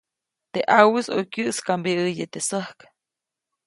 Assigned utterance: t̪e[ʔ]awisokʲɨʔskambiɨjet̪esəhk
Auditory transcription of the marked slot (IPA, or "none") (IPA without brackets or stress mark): ʔ